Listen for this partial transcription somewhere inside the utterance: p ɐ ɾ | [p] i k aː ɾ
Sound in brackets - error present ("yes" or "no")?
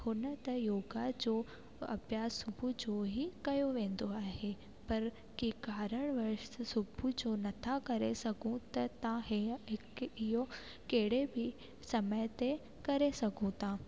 yes